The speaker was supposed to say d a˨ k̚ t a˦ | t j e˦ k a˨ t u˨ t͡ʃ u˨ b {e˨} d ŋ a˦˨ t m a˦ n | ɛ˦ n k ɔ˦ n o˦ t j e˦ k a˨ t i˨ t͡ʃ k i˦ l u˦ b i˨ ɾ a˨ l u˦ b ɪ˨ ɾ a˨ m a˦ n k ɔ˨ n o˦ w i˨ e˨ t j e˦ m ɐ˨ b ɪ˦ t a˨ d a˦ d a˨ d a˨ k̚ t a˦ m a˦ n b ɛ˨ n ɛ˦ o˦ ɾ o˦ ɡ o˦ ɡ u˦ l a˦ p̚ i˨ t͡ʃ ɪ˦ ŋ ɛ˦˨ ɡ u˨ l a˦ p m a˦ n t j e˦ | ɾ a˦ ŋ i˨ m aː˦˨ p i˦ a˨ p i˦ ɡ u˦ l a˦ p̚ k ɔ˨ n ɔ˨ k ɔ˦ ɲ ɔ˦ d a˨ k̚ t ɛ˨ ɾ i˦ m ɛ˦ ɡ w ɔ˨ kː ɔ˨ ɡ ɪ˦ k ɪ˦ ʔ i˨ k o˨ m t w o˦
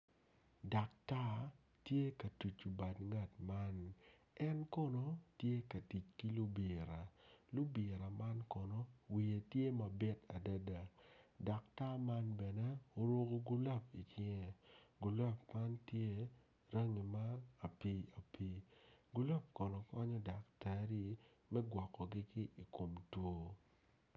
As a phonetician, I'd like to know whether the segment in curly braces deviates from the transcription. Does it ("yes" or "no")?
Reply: yes